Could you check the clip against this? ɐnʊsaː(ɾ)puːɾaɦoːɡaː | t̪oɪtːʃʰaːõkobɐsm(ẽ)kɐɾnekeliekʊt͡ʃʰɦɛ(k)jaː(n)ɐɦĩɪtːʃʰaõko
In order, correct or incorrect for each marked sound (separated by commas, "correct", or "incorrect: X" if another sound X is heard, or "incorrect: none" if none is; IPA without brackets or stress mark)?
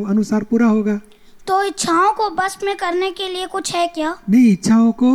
correct, correct, correct, correct